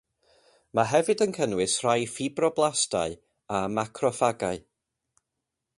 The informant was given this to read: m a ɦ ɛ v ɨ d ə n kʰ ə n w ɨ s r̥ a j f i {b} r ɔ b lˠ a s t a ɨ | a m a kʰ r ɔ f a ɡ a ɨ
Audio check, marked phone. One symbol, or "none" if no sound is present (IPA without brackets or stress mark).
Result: b